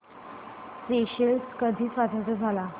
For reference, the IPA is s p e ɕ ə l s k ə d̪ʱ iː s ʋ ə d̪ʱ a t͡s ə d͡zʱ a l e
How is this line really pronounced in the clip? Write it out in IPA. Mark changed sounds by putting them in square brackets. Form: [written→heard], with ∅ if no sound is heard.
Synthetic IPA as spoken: s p e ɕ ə l s k ə d̪ʱ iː s ʋ [ə→a] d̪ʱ a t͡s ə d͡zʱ a l [e→a]